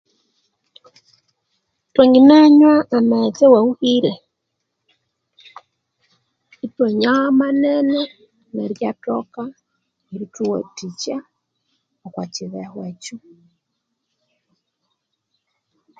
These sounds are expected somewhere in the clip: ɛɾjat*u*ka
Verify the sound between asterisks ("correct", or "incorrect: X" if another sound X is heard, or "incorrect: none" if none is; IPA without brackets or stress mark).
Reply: incorrect: ɔ